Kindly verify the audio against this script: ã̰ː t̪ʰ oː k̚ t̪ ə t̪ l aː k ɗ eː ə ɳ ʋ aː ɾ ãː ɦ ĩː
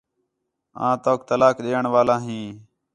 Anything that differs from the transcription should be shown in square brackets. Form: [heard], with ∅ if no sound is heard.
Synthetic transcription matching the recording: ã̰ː [t̪] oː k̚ t̪ ə [∅] l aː k ɗ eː ə ɳ ʋ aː [l] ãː ɦ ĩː